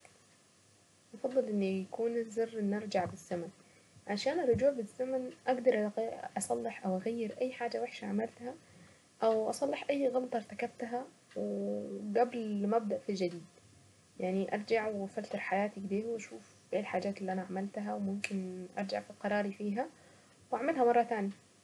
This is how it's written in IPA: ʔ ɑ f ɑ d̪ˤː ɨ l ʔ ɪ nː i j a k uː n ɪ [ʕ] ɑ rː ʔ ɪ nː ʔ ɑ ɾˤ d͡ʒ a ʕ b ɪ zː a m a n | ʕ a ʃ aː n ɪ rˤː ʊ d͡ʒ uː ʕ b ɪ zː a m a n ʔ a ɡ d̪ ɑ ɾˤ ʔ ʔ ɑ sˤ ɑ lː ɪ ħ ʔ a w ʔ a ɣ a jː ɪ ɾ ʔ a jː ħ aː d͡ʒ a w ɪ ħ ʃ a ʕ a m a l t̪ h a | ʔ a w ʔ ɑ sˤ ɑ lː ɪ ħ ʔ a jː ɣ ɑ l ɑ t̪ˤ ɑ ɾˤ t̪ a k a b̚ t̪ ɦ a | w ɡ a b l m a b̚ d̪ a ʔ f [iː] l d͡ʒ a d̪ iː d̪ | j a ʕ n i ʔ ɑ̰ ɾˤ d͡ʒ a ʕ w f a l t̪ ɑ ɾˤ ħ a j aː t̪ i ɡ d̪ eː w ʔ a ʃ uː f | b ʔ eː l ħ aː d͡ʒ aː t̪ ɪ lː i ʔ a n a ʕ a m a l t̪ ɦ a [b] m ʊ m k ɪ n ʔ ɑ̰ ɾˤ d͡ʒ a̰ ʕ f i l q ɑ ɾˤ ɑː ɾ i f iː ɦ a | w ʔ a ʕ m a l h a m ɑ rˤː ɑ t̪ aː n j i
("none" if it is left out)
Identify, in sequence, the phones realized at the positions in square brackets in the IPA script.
z, i, w

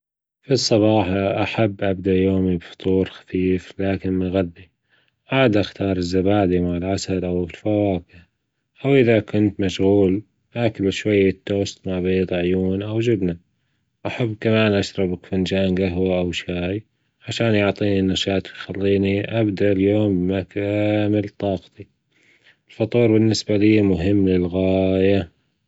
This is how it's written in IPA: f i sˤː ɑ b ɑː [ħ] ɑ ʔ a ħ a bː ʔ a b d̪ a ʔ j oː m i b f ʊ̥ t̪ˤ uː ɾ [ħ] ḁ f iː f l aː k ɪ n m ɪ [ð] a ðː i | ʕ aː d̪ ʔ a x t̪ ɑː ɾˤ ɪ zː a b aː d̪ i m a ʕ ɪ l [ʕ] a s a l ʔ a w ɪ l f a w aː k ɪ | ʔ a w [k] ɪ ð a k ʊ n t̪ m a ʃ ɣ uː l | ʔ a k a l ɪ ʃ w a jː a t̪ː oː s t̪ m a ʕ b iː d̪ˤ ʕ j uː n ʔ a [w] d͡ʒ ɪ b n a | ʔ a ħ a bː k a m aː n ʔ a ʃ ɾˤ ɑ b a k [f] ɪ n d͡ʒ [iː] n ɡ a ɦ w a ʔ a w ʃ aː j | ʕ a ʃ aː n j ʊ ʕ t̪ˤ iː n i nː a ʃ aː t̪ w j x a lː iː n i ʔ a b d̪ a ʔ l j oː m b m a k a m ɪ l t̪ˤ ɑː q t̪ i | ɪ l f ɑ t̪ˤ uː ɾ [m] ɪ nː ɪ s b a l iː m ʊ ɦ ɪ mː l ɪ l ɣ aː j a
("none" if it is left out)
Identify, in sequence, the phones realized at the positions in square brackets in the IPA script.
ħ, x, ɣ, ʕ, ʔ, w, f, aː, b

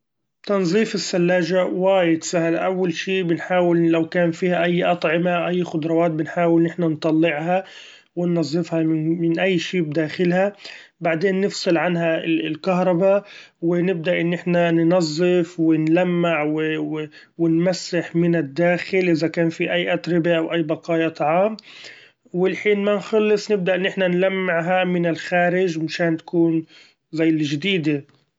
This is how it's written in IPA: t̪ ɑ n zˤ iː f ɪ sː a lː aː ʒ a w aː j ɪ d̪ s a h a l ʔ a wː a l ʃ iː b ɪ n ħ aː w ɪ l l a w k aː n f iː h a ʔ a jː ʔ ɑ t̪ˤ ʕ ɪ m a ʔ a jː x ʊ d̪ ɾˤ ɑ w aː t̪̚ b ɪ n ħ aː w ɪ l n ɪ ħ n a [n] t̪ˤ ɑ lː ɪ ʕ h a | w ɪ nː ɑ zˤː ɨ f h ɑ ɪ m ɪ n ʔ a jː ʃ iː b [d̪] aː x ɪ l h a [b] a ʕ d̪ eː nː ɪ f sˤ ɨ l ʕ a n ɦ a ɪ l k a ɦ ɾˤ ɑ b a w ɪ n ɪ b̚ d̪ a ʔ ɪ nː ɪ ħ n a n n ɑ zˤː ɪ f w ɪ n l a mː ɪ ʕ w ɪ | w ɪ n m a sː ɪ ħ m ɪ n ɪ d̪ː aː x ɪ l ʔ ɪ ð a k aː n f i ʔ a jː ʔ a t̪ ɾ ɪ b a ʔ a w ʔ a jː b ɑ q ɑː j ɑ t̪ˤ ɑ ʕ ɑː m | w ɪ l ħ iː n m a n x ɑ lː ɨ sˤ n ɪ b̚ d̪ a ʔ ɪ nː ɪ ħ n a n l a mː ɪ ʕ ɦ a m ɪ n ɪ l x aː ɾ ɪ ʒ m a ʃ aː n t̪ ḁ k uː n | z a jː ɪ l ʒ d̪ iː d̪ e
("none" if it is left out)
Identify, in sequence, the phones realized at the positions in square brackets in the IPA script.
n, d̪, b

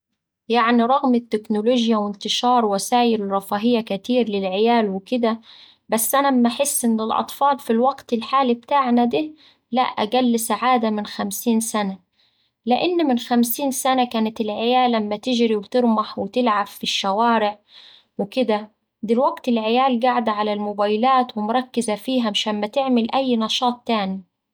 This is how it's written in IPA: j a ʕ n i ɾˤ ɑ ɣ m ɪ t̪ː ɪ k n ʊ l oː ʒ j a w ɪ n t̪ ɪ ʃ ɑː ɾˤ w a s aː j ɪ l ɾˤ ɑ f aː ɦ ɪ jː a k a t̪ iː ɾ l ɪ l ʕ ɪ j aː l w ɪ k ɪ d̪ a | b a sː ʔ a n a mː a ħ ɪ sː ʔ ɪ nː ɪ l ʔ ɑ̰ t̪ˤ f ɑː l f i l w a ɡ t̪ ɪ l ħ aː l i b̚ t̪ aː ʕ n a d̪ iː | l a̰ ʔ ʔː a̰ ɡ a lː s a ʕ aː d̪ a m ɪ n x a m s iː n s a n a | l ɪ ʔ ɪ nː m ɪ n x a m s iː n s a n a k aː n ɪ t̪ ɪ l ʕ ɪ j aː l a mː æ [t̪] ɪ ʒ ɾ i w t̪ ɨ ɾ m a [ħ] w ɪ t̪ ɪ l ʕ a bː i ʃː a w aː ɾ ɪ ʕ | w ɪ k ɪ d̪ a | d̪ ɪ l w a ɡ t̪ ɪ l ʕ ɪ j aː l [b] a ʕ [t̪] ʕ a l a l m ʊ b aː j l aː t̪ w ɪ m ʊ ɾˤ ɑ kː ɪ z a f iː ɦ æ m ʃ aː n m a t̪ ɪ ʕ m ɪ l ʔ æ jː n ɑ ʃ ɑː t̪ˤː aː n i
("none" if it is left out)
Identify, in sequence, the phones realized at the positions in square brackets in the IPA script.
t̪, ħ, ɡ, d̪

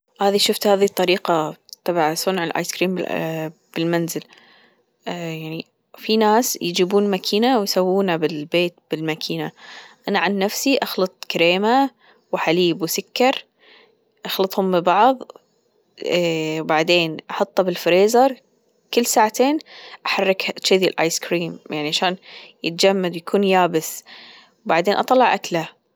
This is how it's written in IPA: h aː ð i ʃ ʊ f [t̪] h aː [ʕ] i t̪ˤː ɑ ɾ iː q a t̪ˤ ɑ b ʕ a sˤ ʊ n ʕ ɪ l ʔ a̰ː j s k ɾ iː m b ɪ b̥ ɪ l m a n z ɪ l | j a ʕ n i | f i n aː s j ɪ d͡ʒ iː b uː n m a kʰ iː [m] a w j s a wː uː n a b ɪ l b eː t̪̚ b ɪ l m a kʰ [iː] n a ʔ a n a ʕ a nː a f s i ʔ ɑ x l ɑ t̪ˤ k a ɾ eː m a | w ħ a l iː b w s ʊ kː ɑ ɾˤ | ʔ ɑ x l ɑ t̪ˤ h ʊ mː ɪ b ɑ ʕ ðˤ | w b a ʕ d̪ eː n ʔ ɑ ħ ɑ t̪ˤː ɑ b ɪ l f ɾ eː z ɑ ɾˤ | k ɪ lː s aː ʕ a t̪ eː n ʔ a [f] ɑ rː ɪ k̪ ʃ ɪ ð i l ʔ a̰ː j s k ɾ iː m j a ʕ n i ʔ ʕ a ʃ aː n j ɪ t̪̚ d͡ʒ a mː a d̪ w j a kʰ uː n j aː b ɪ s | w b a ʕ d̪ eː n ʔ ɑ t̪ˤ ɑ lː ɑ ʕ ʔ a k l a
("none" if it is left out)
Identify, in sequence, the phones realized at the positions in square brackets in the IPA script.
t̪, ð, n, iː, ħ

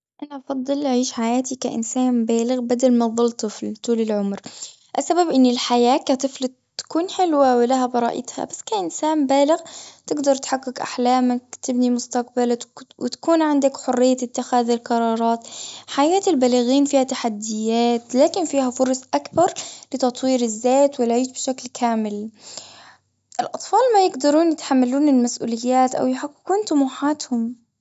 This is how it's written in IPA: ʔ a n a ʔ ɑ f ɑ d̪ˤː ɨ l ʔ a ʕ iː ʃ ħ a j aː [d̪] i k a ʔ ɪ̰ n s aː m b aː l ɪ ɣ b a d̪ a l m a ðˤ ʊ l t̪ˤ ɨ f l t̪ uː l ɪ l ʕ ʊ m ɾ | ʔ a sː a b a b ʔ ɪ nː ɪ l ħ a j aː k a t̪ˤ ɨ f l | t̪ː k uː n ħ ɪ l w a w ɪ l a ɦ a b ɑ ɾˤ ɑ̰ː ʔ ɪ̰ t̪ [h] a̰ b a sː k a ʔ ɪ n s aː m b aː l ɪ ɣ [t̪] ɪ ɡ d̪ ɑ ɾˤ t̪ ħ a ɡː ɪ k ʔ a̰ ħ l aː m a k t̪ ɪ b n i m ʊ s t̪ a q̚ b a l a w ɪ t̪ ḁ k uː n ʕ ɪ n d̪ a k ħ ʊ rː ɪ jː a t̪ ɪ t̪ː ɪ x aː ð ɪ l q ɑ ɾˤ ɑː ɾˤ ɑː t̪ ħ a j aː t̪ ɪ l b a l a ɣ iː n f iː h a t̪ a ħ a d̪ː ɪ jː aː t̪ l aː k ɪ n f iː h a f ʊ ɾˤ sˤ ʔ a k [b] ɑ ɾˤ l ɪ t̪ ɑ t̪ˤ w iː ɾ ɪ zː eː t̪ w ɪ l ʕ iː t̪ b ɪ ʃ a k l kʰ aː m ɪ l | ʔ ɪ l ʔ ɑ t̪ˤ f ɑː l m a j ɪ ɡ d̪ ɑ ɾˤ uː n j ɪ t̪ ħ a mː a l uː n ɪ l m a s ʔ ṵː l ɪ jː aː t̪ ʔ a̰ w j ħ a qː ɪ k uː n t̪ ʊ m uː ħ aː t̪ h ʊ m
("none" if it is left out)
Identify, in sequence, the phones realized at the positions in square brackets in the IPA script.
t̪, h, t̪, b

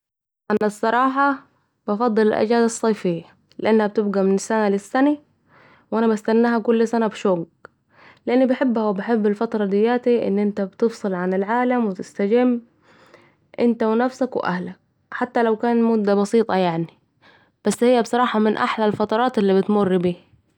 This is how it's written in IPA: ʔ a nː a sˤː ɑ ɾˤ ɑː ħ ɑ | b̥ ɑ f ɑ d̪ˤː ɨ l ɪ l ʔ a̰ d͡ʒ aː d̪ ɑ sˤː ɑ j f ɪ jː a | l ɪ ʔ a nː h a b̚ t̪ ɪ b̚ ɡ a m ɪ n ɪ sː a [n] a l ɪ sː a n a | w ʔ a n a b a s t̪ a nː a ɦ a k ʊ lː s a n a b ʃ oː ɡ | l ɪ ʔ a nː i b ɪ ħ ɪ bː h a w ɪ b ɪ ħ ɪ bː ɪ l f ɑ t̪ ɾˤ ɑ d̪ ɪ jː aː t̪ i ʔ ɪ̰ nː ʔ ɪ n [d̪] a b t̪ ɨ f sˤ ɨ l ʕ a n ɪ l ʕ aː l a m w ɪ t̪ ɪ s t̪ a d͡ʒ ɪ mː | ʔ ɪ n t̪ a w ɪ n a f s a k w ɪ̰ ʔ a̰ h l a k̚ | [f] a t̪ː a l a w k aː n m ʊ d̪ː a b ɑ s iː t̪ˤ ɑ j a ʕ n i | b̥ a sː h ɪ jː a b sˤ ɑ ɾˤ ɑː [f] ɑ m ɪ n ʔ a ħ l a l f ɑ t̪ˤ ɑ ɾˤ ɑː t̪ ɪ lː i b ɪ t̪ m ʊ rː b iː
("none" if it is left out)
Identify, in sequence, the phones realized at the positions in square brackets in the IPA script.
n, t̪, ħ, ħ

